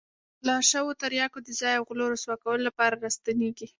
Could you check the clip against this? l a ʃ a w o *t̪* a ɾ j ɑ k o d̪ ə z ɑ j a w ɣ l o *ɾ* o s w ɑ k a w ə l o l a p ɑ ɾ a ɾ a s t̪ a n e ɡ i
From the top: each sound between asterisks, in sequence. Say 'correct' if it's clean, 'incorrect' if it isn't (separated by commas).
correct, correct